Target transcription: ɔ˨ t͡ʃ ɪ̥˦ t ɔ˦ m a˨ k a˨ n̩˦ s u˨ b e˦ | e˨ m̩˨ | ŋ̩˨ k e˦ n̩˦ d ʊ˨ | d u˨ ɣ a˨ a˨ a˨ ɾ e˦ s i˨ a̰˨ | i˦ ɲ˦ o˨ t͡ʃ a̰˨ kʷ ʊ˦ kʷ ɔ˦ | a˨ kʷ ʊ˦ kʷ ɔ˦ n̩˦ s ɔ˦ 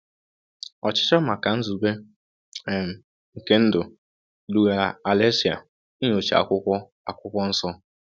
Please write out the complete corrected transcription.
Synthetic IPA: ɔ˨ t͡ʃ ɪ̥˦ t͡ʃ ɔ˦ m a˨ k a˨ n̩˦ z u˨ b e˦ | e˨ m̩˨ | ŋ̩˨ k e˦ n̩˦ d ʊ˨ | d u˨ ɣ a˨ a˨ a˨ l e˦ s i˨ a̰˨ | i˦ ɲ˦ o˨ t͡ʃ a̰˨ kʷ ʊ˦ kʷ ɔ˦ | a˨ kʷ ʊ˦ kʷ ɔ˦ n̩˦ s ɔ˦

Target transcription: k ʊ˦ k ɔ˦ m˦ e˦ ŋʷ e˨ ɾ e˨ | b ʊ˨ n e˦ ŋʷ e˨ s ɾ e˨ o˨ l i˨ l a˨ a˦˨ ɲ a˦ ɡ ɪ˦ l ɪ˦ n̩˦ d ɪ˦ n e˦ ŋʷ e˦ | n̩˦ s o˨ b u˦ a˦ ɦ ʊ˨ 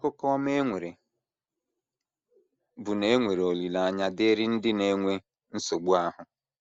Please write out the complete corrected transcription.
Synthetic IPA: k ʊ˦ k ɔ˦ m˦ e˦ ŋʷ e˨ ɾ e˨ | b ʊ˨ n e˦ ŋʷ e˨ ɾ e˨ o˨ l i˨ l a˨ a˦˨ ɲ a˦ d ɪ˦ ɾ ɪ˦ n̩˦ d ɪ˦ n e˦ ŋʷ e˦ | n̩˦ s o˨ ɡ͡b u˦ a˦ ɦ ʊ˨

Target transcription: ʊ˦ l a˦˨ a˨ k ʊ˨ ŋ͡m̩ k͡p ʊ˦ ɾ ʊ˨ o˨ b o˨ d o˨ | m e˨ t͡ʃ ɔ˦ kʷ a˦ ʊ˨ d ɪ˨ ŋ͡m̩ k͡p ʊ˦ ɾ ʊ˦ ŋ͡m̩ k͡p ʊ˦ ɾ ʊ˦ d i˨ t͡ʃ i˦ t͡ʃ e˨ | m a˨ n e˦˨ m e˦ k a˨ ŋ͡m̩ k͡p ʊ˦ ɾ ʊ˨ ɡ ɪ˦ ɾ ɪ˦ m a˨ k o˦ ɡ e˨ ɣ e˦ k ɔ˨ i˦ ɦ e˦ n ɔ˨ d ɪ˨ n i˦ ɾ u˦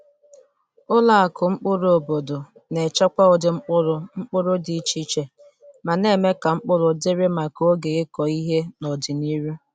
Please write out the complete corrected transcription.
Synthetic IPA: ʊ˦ l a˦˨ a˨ k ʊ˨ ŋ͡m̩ k͡p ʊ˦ ɾ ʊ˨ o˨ b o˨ d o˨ | n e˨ t͡ʃ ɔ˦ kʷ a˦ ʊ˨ d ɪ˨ ŋ͡m̩ k͡p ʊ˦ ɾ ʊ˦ ŋ͡m̩ k͡p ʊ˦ ɾ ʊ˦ d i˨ t͡ʃ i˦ t͡ʃ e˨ | m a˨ n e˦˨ m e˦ k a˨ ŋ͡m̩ k͡p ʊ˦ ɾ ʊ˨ d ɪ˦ ɾ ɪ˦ m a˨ k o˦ ɡ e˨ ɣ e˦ k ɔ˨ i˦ ɦ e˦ n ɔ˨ d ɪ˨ n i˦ ɾ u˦

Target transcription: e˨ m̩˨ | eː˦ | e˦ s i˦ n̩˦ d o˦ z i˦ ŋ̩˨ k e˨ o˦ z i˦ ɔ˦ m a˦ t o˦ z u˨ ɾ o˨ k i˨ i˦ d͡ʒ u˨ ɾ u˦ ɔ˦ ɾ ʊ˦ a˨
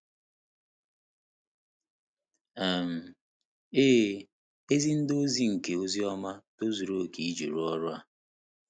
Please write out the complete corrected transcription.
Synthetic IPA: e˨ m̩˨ | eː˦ | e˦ z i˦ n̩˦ d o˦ z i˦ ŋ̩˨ k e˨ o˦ z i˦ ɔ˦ m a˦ t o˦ z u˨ ɾ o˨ k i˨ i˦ d͡ʒ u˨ ɾ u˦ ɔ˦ ɾ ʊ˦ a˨

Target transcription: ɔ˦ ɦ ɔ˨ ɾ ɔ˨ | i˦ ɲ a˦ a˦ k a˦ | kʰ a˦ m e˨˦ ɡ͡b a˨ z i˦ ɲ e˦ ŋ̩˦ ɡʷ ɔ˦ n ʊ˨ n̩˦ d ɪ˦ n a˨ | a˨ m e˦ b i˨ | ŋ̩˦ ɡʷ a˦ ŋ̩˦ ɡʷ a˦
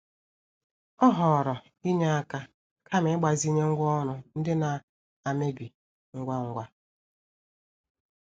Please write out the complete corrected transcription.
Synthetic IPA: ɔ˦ ɦ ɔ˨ ɾ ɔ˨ | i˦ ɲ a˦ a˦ k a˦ | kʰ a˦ m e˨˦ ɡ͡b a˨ z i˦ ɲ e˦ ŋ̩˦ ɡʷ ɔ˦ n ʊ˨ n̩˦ d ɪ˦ n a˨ | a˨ m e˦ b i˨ | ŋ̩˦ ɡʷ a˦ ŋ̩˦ ɡʷ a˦

